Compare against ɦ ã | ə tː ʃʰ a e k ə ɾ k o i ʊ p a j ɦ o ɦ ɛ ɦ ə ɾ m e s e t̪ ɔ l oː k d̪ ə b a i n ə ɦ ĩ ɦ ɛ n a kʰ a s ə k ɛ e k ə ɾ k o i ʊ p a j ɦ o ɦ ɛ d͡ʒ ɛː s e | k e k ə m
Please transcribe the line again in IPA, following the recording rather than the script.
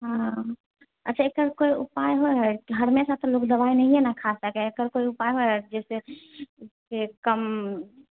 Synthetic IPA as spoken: ɦ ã | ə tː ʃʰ a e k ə ɾ k o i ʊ p a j ɦ o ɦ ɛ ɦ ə ɾ m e s a t̪ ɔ l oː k d̪ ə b a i n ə ɦ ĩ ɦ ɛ n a kʰ a s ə k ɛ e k ə ɾ k o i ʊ p a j ɦ o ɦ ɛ d͡ʒ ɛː s e | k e k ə m